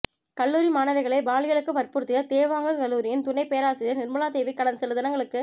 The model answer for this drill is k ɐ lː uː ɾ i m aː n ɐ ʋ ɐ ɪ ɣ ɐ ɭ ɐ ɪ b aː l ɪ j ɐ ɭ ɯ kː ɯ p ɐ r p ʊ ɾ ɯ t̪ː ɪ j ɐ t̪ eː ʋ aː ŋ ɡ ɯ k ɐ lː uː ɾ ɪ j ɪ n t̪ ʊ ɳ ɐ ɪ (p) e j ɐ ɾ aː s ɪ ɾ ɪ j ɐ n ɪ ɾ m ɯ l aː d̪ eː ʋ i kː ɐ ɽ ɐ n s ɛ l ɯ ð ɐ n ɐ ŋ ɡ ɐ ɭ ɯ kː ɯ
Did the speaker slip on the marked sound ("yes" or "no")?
no